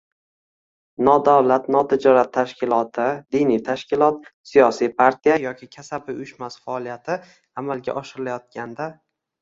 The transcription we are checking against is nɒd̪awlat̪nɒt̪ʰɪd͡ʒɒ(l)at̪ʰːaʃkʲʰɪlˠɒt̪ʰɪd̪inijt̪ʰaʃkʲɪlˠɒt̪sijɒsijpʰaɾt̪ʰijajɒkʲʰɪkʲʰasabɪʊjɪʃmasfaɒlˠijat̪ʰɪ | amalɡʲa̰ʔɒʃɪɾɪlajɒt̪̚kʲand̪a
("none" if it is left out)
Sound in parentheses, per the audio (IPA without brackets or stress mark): ɾ